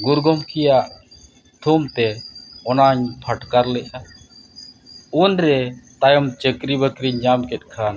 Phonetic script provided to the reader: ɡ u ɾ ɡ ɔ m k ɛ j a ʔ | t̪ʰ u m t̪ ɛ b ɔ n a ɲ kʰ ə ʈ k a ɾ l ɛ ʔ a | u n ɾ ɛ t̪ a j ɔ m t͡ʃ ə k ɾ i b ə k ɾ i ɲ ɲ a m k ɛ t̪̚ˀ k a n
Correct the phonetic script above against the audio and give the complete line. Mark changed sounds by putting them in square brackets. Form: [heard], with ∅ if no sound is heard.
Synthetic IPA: ɡ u ɾ ɡ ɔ m k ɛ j a ʔ | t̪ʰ u m t̪ ɛ [∅] ɔ n a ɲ [pʰ] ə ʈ k a ɾ l ɛ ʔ a | u n ɾ ɛ t̪ a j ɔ m t͡ʃ ə k ɾ i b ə k ɾ i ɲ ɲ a m k ɛ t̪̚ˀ [kʰ] a n